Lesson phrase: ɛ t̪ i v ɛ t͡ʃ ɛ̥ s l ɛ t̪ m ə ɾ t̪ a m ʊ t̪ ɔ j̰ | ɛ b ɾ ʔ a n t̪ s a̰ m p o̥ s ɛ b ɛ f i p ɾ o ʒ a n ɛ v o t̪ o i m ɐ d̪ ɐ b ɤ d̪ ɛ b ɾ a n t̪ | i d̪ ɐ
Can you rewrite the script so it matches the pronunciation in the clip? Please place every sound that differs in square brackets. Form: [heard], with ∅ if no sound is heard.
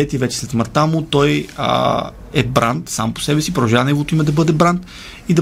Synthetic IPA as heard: ɛ t̪ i v ɛ t͡ʃ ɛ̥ s l ɛ t̪ m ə ɾ t̪ a m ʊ t̪ ɔ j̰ | ɛ b ɾ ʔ a n t̪ s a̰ m p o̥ s ɛ b ɛ [s] i p ɾ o ʒ a n ɛ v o t̪ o i m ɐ d̪ ɐ b ɤ d̪ ɛ b ɾ a n t̪ | i d̪ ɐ